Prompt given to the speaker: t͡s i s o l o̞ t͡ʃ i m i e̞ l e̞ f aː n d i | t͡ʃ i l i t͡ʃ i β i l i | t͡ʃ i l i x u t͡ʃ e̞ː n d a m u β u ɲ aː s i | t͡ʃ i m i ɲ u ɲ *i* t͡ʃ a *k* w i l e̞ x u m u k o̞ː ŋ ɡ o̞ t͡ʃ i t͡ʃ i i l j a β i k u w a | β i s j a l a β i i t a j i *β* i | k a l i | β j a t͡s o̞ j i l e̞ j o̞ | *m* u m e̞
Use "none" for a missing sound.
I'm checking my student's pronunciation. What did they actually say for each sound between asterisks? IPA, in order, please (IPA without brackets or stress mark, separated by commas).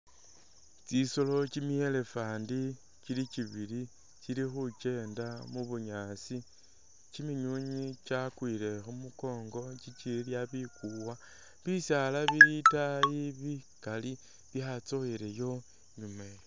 i, k, β, ɲ